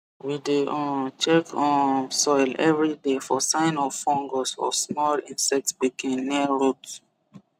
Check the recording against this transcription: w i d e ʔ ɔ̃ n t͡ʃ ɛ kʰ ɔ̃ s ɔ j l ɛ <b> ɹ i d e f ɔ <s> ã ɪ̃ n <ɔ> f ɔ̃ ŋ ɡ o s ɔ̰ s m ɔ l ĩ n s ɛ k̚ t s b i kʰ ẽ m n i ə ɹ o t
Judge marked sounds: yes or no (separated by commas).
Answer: no, yes, yes